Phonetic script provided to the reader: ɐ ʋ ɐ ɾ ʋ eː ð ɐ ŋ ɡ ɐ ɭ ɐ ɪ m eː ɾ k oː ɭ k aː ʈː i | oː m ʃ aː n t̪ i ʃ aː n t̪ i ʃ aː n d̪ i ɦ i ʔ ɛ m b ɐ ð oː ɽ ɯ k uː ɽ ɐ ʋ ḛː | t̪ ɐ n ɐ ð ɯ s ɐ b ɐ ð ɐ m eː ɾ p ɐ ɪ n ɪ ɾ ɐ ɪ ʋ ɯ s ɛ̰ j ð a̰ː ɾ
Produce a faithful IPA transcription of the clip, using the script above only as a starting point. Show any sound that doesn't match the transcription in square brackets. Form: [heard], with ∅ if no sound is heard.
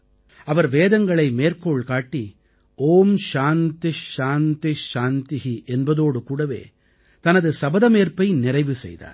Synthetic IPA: ɐ ʋ ɐ ɾ ʋ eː ð ɐ ŋ ɡ ɐ ɭ ɐ ɪ m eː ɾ k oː ɭ k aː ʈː i | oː m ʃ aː n t̪ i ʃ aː n t̪ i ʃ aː n [t̪] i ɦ i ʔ ɛ [n] b ɐ ð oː ɽ ɯ k uː ɽ ɐ ʋ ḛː | t̪ ɐ n ɐ ð ɯ s ɐ b ɐ ð ɐ m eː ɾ p ɐ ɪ n ɪ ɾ ɐ ɪ ʋ ɯ s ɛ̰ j ð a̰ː ɾ